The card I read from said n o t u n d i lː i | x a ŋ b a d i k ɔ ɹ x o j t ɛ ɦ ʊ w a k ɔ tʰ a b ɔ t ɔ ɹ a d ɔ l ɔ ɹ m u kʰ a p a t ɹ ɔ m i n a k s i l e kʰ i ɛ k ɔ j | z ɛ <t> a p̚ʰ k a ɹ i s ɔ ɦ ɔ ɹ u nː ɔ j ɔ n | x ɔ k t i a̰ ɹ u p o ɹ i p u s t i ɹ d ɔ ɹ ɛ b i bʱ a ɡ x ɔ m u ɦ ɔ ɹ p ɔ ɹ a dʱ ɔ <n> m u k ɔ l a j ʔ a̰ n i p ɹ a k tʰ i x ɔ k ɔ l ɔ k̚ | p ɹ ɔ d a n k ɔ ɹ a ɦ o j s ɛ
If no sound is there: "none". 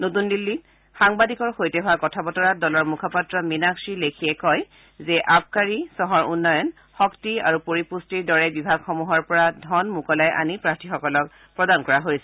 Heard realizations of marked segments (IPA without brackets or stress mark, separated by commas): ʔ, n